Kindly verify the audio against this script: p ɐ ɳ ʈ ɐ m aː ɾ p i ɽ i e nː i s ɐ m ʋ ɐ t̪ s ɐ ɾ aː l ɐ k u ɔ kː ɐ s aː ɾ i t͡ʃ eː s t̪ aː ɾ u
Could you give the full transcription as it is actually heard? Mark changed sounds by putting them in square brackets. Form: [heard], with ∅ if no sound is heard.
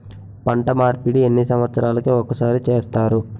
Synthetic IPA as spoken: p ɐ ɳ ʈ ɐ m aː ɾ p i ɽ i e nː i s ɐ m ʋ ɐ t̪ s ɐ ɾ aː l ɐ k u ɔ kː ɐ s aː ɾ i t͡ʃ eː s t̪ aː ɾ u